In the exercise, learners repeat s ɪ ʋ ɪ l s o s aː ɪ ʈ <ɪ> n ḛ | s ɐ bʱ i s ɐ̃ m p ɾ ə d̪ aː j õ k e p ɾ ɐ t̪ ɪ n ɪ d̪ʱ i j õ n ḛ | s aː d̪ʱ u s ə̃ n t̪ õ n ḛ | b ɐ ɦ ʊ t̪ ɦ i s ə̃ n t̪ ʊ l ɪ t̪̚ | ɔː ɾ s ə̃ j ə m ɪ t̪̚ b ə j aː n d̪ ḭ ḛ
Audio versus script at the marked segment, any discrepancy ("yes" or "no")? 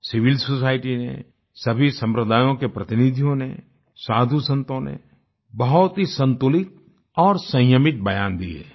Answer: yes